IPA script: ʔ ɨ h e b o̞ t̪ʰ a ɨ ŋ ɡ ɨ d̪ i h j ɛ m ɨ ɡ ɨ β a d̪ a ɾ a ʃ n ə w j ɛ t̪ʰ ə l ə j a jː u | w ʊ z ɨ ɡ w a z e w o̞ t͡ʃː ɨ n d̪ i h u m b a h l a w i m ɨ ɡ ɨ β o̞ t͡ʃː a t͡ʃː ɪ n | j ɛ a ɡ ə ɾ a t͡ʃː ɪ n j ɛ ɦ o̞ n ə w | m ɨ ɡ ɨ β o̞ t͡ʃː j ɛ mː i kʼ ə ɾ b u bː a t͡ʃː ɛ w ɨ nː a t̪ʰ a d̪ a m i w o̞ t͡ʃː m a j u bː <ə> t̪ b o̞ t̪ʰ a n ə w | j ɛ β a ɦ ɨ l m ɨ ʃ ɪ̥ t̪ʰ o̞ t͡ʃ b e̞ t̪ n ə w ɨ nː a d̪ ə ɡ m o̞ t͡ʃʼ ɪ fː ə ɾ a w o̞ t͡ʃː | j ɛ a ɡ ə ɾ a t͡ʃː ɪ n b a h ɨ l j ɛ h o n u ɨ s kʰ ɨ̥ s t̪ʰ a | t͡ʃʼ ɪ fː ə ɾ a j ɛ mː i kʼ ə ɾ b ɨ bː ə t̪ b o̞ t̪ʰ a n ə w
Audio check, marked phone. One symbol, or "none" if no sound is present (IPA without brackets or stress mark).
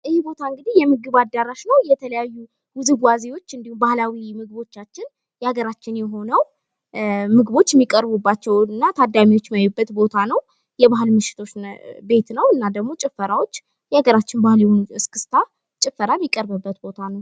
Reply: ə